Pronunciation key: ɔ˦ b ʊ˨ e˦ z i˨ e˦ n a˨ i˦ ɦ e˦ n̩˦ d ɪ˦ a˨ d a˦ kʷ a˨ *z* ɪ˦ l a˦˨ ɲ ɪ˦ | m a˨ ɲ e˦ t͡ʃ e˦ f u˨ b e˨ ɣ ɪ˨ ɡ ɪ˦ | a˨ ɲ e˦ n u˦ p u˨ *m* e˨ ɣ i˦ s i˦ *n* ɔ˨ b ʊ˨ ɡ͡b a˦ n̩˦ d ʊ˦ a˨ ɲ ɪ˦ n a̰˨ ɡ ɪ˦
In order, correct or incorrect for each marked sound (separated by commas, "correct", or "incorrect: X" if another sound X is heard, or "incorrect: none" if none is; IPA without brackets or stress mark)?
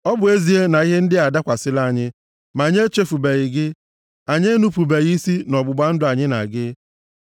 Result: incorrect: s, incorrect: b, correct